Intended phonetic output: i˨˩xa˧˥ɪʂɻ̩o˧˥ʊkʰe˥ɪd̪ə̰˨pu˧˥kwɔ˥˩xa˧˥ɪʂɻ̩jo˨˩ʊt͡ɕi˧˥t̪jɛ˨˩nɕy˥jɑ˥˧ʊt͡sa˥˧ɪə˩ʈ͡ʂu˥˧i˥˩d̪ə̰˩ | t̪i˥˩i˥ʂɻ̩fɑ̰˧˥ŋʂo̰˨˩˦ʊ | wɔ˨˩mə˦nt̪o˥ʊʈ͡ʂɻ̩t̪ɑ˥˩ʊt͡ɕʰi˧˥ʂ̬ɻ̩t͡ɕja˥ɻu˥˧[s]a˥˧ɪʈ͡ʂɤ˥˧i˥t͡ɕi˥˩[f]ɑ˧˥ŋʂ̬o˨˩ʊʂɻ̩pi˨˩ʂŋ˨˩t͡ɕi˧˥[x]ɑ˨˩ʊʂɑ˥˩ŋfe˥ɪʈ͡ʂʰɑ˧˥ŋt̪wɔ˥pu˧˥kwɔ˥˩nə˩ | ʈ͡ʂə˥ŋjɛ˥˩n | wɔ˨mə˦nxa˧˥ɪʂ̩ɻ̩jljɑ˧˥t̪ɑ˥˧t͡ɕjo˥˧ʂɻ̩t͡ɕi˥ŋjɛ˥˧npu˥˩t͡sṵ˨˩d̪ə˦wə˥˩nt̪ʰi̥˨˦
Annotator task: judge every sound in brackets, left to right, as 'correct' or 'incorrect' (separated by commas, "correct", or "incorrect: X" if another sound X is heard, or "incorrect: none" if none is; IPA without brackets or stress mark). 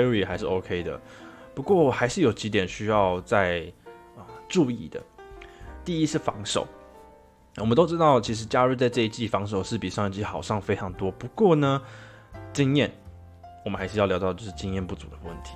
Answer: incorrect: t͡s, correct, correct